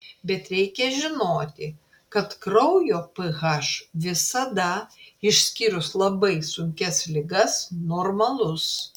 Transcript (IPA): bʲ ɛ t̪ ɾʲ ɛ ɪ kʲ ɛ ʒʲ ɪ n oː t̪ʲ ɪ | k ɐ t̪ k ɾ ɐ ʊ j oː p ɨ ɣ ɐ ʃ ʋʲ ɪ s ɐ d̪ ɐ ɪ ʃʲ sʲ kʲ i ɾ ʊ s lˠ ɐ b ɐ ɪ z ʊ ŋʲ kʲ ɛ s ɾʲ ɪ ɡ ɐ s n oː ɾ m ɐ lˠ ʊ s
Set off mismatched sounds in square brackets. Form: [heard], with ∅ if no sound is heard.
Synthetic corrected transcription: bʲ ɛ t̪ ɾʲ ɛ ɪ kʲ ɛ ʒʲ ɪ n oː t̪ʲ ɪ | k ɐ t̪ k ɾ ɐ ʊ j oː p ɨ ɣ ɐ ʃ ʋʲ ɪ s ɐ d̪ ɐ ɪ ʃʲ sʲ kʲ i ɾ ʊ s lˠ ɐ b ɐ ɪ [s] ʊ ŋʲ kʲ ɛ s [lʲ] ɪ ɡ ɐ s n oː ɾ m ɐ lˠ ʊ s